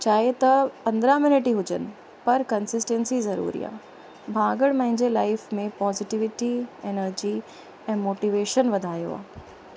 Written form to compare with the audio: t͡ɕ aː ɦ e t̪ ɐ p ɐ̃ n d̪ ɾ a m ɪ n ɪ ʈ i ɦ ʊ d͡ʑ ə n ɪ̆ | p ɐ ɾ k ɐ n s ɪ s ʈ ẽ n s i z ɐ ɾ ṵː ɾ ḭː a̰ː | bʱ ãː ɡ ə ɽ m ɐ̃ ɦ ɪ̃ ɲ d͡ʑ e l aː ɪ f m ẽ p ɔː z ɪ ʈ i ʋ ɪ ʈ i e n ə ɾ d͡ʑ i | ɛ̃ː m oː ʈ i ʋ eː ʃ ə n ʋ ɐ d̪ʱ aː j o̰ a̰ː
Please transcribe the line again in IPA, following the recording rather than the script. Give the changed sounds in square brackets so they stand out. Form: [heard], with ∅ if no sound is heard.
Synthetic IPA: t͡ɕ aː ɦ e t̪ ɐ p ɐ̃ n d̪ ɾ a m ɪ n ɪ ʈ i ɦ ʊ d͡ʑ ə n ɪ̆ | p ɐ ɾ k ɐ n s ɪ s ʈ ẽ n s i z ɐ ɾ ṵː ɾ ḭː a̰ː | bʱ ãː ɡ ə ɽ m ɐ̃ ɦ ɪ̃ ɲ d͡ʑ e l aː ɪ f m ẽ p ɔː z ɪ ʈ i ʋ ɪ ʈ i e n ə ɾ d͡ʑ i | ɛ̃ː m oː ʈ i ʋ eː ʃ ə n ʋ ɐ d̪ʱ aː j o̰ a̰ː